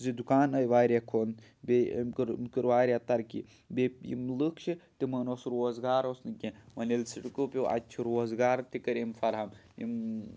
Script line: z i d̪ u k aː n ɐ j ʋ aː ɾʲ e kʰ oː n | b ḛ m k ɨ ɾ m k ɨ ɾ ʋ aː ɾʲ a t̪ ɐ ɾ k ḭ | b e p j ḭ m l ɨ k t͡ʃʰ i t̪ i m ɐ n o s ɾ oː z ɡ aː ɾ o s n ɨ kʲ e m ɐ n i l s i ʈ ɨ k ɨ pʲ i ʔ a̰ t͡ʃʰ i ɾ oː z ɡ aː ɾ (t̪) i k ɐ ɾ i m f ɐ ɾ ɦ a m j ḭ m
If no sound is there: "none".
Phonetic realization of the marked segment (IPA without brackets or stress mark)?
t̪